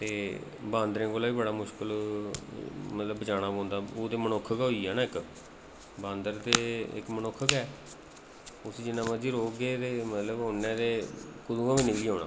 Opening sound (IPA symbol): t̪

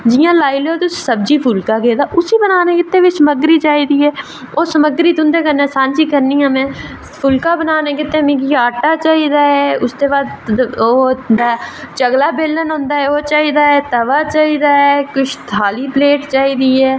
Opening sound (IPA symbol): d͡ʒ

